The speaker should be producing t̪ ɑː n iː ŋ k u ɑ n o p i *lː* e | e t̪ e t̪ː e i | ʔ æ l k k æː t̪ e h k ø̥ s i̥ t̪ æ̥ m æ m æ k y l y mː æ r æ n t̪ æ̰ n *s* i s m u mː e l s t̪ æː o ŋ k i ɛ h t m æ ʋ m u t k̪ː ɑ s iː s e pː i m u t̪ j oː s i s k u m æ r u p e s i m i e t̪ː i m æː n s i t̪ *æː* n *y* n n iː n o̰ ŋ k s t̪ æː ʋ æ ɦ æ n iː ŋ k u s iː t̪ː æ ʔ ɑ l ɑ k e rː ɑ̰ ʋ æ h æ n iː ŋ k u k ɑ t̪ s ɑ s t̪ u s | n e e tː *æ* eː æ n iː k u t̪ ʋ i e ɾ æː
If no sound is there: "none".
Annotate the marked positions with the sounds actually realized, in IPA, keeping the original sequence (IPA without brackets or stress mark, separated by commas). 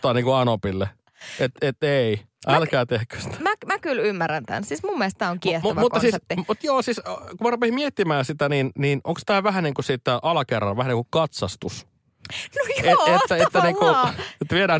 lː, s, æ, i, æ